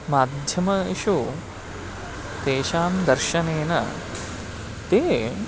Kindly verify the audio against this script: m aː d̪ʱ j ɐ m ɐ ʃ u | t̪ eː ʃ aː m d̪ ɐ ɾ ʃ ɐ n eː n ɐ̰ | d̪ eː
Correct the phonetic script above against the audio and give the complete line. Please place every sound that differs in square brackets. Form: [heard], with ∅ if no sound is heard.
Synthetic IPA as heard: m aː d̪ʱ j ɐ m ɐ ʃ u | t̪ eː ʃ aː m d̪ ɐ ɾ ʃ ɐ n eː n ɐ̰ | [t̪] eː